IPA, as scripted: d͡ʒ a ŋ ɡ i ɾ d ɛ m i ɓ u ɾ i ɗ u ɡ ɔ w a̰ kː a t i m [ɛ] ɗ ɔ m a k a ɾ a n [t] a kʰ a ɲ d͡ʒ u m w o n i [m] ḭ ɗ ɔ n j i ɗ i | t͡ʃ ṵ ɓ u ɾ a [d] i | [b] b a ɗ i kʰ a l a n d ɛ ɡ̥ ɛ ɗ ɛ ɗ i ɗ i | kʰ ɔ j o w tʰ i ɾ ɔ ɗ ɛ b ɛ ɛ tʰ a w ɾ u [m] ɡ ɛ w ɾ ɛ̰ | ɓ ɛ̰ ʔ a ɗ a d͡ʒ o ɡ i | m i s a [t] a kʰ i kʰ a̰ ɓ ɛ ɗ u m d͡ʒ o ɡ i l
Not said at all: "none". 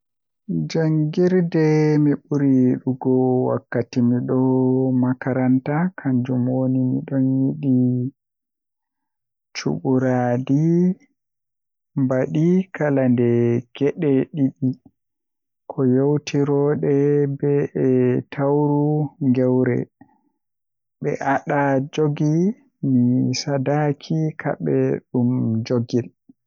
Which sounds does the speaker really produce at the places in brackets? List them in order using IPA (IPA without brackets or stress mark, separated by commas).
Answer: i, t, m, d, m, ŋ, d